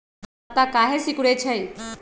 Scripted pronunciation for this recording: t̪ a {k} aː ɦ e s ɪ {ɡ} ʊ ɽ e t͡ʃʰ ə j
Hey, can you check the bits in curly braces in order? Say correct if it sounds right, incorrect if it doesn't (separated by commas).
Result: correct, incorrect